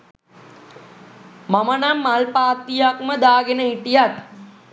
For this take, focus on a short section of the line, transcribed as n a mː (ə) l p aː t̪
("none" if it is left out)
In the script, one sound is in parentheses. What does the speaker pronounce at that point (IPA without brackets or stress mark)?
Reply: a